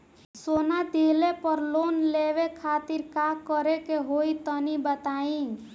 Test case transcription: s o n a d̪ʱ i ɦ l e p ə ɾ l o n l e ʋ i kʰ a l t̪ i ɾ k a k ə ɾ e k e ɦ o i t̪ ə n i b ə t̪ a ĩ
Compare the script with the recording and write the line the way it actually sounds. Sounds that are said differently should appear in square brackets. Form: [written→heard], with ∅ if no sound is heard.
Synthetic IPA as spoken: s o n a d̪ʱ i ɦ l e p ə ɾ l o n l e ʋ [i→e] kʰ a [l→∅] t̪ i ɾ k a k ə ɾ e k e ɦ o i t̪ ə n i b ə t̪ a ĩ